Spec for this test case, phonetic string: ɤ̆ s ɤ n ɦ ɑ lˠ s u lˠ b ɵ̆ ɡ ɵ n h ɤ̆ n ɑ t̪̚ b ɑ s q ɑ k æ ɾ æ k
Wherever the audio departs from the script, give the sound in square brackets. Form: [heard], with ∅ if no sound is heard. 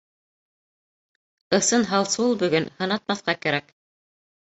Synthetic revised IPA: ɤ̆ s ɤ n ɦ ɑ lˠ s u lˠ b ɵ̆ ɡ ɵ n h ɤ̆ n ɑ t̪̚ [m] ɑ [θ] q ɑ k æ ɾ æ k